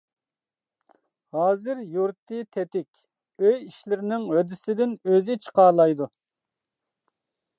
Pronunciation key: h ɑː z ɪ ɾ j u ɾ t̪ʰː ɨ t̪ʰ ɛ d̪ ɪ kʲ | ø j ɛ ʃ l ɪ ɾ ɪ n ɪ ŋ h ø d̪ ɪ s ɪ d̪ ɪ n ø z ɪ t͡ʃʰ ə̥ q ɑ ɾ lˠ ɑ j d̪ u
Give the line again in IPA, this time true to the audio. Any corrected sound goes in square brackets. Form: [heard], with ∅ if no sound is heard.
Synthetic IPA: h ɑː z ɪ ɾ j u ɾ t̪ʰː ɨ t̪ʰ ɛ [t̪] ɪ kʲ | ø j [i] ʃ l ɪ ɾ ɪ n ɪ ŋ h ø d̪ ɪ s ɪ d̪ ɪ n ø z ɪ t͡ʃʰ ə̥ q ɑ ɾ lˠ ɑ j d̪ u